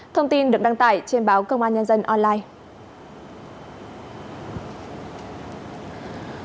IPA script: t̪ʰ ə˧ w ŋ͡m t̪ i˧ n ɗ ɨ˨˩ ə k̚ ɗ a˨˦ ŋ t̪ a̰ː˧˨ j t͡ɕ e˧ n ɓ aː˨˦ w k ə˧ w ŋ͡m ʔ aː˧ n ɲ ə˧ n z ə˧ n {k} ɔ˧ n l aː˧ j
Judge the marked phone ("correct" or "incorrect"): incorrect